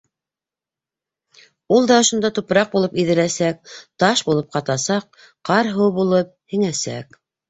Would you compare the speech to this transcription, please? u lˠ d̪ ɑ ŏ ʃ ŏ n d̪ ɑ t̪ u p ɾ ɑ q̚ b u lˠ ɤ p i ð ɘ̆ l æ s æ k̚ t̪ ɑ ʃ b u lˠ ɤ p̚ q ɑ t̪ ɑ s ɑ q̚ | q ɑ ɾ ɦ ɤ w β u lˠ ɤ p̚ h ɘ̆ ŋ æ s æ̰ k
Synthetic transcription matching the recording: u lˠ d̪ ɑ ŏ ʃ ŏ n d̪ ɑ t̪ u p ɾ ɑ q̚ b u lˠ ɤ p i ð ɘ̆ l æ s æ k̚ t̪ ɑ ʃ b u lˠ ɤ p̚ q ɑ t̪ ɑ s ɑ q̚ | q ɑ ɾ ɦ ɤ w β u lˠ ɤ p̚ h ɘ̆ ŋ æ s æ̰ k